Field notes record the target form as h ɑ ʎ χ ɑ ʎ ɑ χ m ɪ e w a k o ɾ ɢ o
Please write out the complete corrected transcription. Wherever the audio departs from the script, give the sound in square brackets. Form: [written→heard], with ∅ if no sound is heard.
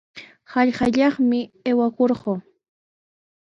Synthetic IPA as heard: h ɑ ʎ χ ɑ ʎ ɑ χ m ɪ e w a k o ɾ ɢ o

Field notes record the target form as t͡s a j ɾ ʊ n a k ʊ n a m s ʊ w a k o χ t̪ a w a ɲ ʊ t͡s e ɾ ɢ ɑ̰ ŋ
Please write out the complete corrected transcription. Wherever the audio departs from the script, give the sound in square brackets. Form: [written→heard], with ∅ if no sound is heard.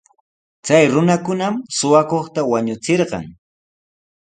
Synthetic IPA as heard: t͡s a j ɾ ʊ n a k ʊ n a m s ʊ w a k o χ t̪ a w a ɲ ʊ t͡s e ɾ ɢ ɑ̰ ŋ

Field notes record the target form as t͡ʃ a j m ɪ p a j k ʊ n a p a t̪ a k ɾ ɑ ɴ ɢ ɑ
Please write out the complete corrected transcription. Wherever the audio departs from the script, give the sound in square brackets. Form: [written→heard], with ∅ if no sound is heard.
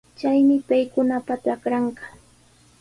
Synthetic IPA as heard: t͡ʃ a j m ɪ p a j k ʊ n a p a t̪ a k ɾ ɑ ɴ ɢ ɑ

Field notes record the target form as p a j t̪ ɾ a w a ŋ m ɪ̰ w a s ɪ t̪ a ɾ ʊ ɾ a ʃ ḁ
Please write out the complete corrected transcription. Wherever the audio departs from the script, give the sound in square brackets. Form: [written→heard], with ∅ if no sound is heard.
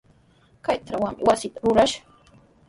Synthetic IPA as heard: [p→k] a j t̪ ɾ a w a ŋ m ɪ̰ w a s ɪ t̪ a ɾ ʊ ɾ a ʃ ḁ

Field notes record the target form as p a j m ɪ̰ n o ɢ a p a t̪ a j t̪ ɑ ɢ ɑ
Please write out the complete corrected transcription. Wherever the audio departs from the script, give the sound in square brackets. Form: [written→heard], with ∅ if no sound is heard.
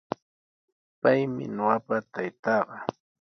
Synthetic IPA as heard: p a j m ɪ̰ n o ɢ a p a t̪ a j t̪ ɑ ɢ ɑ

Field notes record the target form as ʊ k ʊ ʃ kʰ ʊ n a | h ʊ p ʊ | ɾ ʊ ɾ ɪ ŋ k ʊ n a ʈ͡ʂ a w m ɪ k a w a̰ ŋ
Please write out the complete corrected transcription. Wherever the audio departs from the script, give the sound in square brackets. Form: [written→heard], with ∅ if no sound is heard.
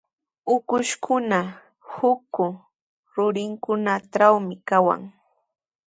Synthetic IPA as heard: ʊ k ʊ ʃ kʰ ʊ n a | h ʊ [p→k] ʊ | ɾ ʊ ɾ ɪ ŋ k ʊ n a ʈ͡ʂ a w m ɪ k a w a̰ ŋ

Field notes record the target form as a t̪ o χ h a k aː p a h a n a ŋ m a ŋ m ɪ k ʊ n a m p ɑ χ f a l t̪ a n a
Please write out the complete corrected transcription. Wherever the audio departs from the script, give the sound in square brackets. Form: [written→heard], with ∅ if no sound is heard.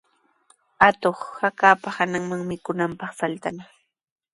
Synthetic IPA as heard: a t̪ o χ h a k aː p a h a n a ŋ m a ŋ m ɪ k ʊ n a m p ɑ χ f a l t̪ a n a

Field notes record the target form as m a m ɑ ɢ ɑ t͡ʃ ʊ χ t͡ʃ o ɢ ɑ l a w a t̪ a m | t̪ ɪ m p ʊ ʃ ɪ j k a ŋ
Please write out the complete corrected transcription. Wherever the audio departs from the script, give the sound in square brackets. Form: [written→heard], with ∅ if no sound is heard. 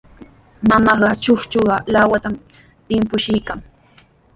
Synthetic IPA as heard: m a m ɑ ɢ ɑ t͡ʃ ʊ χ t͡ʃ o ɢ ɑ l a w a t̪ a m | t̪ ɪ m p ʊ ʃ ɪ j k a ŋ

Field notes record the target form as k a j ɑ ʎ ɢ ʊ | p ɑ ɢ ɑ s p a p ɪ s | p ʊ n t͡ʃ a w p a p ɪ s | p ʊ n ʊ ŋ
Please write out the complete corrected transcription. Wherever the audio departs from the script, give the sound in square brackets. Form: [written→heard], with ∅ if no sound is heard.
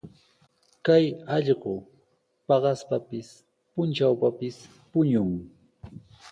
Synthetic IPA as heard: k a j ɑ ʎ ɢ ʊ | p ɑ ɢ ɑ s p a p ɪ s | p ʊ n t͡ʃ a w p a p ɪ s | p ʊ [n→ɲ] ʊ ŋ

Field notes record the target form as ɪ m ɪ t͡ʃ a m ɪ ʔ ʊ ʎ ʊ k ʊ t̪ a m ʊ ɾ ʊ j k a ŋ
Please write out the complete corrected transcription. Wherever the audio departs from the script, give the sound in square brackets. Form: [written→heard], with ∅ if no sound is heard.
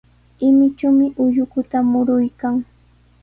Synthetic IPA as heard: ɪ m ɪ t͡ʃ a m ɪ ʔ ʊ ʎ ʊ k ʊ t̪ a m ʊ ɾ ʊ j k a ŋ

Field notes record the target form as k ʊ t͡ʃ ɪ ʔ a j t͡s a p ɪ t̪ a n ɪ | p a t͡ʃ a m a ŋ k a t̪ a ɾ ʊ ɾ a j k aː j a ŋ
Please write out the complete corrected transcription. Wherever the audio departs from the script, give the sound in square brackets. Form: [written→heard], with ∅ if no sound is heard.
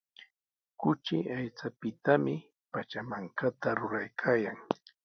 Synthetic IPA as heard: k ʊ t͡ʃ ɪ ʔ a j t͡s a p ɪ t̪ a [n→m] ɪ | p a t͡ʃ a m a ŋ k a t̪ a ɾ ʊ ɾ a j [k→kʰ] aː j a ŋ

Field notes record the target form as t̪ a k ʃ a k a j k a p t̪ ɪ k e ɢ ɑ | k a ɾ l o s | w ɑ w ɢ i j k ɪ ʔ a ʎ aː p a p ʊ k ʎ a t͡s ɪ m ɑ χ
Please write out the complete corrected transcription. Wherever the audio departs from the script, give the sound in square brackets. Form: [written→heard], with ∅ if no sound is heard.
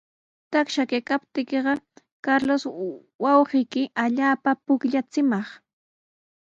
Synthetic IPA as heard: t̪ a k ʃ a k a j k a p t̪ ɪ k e ɢ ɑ | k a ɾ l o s | w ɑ w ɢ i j k ɪ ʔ a ʎ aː p a p ʊ k ʎ a t͡s ɪ m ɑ χ

